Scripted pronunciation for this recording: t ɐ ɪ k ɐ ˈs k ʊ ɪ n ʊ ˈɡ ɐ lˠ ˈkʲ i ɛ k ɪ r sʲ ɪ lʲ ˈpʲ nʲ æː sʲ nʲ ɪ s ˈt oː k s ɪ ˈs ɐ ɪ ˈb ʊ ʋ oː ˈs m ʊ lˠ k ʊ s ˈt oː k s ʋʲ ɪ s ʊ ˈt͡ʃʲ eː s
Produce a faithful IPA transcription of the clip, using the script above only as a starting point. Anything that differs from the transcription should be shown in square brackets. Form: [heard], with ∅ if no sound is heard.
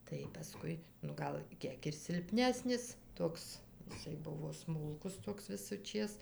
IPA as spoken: t ɐ ɪ [p] ɐ ˈs k ʊ ɪ n ʊ ˈɡ ɐ lˠ ˈkʲ i ɛ k ɪ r sʲ ɪ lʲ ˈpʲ nʲ æː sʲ nʲ ɪ s ˈt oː k s ɪ ˈs ɐ ɪ ˈb ʊ ʋ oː ˈs m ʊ lˠ k ʊ s ˈt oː k s ʋʲ ɪ s ʊ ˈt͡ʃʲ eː s